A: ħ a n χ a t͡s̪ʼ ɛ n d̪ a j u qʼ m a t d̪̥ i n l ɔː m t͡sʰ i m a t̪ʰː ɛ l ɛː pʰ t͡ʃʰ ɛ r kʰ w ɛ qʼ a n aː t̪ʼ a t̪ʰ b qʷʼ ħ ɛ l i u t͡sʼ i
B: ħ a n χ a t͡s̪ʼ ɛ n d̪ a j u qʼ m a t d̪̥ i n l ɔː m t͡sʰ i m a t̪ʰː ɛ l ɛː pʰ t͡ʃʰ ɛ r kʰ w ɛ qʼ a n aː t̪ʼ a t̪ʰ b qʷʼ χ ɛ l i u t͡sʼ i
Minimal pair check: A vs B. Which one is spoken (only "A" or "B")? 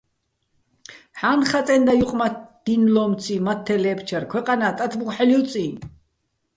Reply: A